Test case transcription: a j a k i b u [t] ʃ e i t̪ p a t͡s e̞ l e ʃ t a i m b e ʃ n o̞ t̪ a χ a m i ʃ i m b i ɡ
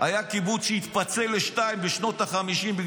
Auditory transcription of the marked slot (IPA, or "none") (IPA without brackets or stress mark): t͡s